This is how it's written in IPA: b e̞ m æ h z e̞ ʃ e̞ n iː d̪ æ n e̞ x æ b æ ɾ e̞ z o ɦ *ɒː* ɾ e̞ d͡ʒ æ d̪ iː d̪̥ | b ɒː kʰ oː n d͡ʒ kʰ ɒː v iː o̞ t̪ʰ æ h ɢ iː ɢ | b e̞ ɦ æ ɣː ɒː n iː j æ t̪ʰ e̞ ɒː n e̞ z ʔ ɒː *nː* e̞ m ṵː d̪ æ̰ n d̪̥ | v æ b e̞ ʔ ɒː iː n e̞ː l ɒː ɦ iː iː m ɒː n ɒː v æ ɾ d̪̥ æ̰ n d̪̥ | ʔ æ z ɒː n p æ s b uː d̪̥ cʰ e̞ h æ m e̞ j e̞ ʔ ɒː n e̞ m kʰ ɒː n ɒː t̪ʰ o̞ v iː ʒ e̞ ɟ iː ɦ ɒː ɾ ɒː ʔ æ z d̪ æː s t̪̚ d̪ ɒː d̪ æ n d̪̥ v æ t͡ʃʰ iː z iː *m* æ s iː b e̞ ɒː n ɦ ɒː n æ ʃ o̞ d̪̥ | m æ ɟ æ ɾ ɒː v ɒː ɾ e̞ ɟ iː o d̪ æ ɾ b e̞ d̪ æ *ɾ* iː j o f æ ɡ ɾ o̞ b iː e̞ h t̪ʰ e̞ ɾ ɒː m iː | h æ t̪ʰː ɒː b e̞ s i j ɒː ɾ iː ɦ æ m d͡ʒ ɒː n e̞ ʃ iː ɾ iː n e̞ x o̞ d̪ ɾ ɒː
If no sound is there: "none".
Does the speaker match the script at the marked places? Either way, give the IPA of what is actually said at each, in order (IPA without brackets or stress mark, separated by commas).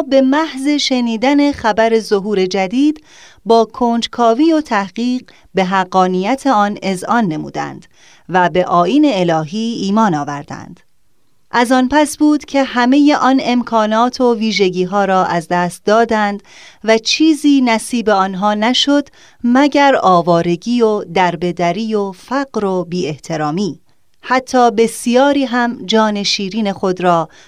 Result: uː, nː, n, ɾ